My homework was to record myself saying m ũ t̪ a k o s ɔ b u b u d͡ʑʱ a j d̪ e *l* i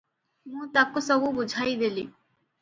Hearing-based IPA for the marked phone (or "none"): l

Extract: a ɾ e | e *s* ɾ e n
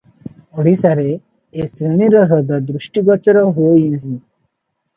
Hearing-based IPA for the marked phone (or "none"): s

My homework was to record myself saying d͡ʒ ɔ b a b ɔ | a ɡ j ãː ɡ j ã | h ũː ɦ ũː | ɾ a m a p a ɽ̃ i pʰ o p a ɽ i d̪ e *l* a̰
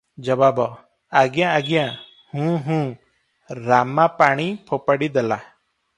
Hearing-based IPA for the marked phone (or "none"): l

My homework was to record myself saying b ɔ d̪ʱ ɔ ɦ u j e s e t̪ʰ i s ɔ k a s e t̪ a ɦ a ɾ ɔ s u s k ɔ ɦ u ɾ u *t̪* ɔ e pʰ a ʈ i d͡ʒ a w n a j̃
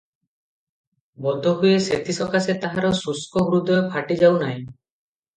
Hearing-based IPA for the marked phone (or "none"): d̪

